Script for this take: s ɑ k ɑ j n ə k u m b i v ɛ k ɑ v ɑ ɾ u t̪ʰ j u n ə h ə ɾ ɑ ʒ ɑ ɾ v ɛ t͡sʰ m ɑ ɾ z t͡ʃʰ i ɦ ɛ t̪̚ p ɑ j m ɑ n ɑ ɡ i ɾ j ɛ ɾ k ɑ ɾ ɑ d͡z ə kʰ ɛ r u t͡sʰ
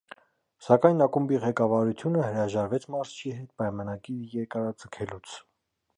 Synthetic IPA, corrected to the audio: s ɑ k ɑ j n ɑ k u m b i ʁ ɛ k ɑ v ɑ ɾ u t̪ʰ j u n ə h ə ɾ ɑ ʒ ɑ ɾ v ɛ t͡sʰ m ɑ ɾ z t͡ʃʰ i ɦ ɛ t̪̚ p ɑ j m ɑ n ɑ ɡ i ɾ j ɛ ɾ k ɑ ɾ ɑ d͡z ə kʰ ɛ l u t͡sʰ